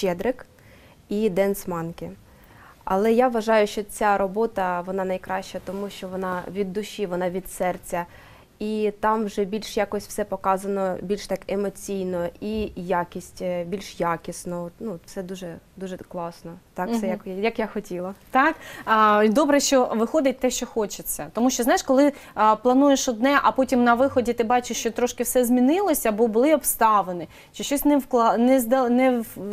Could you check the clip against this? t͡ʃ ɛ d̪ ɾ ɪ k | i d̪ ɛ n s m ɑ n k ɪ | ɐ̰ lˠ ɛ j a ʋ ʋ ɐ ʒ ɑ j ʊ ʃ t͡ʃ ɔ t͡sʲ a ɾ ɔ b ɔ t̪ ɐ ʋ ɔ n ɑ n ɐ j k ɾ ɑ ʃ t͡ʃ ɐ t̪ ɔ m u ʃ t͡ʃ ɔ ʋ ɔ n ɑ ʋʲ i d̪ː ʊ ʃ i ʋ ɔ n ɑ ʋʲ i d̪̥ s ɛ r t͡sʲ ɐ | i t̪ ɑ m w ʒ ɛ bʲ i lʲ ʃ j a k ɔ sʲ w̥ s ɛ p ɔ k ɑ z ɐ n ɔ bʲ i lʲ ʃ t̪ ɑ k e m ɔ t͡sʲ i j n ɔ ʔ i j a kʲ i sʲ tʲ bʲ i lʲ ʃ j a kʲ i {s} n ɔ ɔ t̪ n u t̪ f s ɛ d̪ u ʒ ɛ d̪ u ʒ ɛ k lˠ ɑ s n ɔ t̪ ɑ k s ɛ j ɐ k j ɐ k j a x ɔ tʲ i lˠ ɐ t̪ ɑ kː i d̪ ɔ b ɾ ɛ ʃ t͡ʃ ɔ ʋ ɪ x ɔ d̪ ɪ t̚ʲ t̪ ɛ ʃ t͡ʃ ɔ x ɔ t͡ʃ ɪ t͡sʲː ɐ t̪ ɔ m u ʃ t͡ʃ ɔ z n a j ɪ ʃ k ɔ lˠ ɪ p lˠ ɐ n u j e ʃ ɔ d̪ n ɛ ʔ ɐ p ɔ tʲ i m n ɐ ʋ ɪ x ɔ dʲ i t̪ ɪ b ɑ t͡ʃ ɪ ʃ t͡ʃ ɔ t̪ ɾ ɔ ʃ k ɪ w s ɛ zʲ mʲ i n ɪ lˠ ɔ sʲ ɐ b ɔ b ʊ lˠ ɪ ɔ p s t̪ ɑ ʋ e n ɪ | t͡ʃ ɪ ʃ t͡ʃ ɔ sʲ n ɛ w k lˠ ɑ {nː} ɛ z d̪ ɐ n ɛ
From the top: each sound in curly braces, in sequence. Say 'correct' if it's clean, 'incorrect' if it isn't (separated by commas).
correct, incorrect